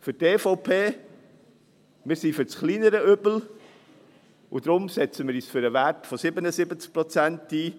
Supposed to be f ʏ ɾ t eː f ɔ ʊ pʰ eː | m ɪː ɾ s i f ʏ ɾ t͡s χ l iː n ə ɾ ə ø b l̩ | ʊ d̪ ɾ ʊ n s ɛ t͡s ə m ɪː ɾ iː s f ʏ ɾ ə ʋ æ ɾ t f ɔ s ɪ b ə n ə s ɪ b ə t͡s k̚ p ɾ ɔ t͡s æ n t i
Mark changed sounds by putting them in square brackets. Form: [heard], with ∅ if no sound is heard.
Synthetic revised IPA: f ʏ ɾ t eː f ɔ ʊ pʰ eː | m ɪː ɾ s i f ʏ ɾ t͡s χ l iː n ə ɾ ə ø b l̩ | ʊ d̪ ɾ ʊ [m] s ɛ t͡s ə m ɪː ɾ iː s f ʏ ɾ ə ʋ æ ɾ t f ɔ s ɪ b ə n ə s ɪ b ə t͡s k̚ p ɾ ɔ t͡s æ n t [iː]